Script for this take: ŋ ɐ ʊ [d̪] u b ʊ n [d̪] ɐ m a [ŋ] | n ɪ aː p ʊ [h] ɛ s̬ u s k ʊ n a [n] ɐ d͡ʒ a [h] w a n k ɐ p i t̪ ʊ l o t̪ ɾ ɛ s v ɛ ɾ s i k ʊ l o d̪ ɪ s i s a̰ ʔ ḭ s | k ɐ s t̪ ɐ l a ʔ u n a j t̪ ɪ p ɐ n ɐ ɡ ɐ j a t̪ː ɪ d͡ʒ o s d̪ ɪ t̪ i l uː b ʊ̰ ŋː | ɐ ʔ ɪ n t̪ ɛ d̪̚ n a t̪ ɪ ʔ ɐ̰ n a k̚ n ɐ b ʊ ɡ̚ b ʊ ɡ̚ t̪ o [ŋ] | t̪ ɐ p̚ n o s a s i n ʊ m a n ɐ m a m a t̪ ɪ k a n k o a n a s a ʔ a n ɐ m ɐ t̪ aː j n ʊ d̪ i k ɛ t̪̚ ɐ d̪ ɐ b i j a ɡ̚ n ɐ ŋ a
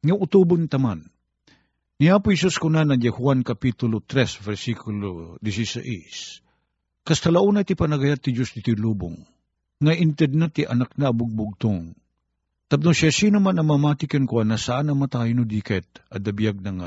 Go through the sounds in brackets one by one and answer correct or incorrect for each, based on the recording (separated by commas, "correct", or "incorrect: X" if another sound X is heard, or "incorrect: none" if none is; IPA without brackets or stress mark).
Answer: incorrect: t̪, incorrect: t̪, incorrect: n, correct, correct, correct, correct